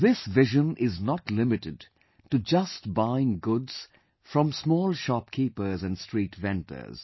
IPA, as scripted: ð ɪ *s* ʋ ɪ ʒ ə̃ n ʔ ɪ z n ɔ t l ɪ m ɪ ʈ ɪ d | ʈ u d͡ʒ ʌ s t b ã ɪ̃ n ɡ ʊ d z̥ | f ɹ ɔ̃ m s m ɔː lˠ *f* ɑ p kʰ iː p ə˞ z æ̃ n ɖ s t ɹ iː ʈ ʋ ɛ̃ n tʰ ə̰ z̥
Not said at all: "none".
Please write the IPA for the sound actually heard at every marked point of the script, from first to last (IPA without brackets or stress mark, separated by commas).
s, ʃ